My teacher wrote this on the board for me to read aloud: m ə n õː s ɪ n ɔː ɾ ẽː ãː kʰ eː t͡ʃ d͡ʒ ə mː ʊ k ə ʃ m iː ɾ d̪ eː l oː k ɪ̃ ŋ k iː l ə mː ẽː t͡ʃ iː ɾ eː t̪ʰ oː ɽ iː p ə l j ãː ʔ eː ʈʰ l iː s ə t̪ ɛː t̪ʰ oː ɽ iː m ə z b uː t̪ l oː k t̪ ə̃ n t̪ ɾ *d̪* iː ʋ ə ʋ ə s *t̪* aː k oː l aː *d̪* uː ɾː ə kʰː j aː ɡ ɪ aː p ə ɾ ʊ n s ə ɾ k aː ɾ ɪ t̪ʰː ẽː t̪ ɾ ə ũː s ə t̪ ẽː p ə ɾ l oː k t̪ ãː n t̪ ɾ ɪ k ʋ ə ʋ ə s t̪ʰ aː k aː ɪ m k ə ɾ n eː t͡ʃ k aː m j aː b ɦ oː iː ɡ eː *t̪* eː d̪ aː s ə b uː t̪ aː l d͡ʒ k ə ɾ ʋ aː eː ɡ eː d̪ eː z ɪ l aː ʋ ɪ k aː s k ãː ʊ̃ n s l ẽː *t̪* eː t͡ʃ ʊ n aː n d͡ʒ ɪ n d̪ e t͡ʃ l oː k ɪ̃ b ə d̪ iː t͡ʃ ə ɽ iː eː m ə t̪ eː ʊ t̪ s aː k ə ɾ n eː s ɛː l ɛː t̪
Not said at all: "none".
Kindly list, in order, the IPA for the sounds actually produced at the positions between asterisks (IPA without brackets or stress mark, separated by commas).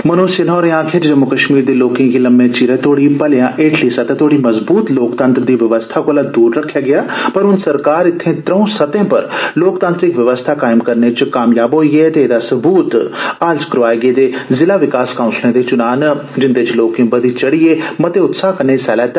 d̪, t̪ʰ, d̪, t̪, d̪